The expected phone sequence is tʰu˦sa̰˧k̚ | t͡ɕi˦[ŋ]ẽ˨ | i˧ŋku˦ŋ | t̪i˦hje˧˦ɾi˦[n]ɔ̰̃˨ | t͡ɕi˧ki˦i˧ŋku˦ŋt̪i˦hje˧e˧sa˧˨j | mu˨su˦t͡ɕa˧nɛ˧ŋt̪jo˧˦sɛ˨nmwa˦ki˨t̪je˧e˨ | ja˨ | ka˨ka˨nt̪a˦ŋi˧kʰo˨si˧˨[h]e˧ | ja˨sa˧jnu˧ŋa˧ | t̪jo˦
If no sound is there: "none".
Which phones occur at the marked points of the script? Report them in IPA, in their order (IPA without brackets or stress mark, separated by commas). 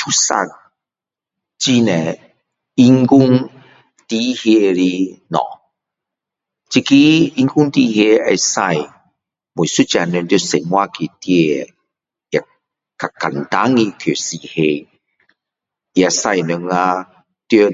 n, n, h